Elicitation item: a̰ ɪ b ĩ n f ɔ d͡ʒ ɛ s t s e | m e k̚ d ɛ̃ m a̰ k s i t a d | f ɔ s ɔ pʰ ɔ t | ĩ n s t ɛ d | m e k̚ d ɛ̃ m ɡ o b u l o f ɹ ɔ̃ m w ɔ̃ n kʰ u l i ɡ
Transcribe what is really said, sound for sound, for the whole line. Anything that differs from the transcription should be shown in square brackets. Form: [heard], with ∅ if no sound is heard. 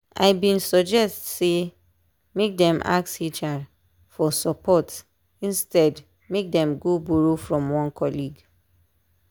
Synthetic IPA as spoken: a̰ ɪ b ĩ n [s] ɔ d͡ʒ ɛ s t s e | m e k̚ d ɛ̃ m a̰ k s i [t͡ʃ] a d | f ɔ s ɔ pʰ ɔ t | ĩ n s t ɛ d | m e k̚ d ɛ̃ m ɡ o b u [ɹ] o f ɹ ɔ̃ m w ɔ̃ n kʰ [ɔ] l i ɡ

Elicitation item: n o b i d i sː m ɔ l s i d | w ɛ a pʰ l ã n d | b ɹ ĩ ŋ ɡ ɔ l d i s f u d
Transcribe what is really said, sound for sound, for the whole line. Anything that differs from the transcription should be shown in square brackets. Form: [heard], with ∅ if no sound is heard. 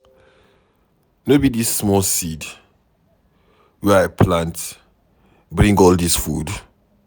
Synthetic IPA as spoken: n o b i d i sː m ɔ l s i d | w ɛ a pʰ l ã n [t] | b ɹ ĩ ŋ ɡ ɔ l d i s f u d

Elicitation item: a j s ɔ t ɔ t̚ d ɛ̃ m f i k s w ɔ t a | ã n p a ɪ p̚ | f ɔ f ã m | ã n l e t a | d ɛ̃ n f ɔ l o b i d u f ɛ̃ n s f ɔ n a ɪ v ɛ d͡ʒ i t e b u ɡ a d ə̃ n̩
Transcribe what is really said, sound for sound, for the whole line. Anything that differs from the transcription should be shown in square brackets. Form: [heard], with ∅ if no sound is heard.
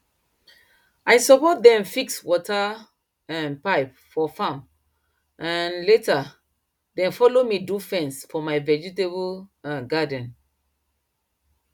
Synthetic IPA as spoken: a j s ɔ [p] ɔ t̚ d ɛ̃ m f i k s w ɔ t a | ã n p a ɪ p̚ | f ɔ f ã m | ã n l e t a | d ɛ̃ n f ɔ l o [m] i d u f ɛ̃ n s f ɔ [m] a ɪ v ɛ d͡ʒ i t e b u ɡ a d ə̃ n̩

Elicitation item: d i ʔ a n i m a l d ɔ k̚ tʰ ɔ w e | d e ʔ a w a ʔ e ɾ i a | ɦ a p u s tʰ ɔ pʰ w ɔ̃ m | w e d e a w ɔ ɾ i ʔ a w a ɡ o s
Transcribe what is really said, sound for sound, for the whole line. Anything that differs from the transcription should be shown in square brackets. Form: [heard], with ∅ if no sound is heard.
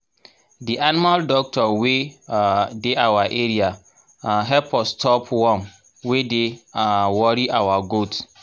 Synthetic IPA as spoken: d i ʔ a n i m a l d ɔ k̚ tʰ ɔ w e | d e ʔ a w a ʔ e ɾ i a | ɦ [ɛ] p [ɔ] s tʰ ɔ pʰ w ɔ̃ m | w e d e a w ɔ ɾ i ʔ a w a ɡ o [t]

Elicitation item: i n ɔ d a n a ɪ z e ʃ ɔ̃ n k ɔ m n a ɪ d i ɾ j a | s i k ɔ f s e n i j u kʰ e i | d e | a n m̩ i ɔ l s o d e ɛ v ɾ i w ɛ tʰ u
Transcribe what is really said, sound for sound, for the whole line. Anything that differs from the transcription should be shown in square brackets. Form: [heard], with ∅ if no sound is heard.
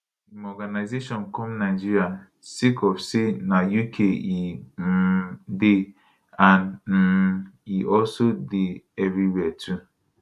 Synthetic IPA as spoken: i [m] ɔ [ɡ] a n a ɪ z e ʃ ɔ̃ n k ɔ m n a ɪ [d͡ʒ] i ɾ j a | s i k ɔ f s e n [a] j u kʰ e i | d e | a n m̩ i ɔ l s o d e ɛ v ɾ i w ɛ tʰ u

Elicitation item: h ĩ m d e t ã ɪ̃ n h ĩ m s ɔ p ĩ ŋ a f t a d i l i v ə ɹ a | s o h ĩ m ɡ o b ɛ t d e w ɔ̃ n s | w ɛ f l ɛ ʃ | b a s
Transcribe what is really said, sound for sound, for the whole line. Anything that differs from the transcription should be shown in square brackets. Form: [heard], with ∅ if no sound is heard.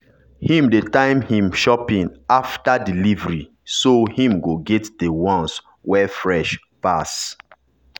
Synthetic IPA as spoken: h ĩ m d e t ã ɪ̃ [m] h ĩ m [ʃ] ɔ p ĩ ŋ a f t a d i l i v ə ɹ [i] | s o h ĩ m ɡ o [ɡ] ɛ t d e w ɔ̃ n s | w ɛ f [ɹ] ɛ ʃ | [p] a s

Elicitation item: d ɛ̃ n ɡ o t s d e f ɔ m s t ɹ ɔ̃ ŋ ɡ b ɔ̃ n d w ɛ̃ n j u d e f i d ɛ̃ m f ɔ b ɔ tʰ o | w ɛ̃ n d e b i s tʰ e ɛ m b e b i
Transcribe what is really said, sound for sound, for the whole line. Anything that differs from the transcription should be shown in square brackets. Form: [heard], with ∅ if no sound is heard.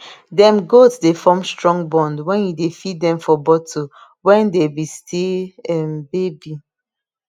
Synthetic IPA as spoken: d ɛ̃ [m] ɡ o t s d e f ɔ m s t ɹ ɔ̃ ŋ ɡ b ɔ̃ n d w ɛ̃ n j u d e f i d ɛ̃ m f ɔ b ɔ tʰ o | w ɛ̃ n d e b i s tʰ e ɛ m b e b i

